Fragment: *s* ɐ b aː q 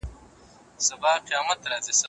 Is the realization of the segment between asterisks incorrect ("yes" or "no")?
no